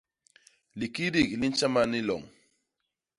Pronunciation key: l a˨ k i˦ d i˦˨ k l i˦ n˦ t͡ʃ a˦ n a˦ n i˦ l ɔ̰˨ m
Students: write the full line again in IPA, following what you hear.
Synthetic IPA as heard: l i˨ k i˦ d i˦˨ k l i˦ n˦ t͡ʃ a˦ m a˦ n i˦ l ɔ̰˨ ŋ